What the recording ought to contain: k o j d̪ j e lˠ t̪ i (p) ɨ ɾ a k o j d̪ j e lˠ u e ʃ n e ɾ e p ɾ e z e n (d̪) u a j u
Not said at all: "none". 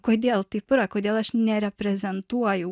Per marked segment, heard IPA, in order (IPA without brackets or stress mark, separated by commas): p, t̪